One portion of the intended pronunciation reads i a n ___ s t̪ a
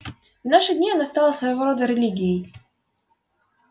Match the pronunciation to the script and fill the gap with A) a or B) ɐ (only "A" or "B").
A